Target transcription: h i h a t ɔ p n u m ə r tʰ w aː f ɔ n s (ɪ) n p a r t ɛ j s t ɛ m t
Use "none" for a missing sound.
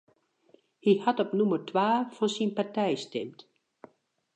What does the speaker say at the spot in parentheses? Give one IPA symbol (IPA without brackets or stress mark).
i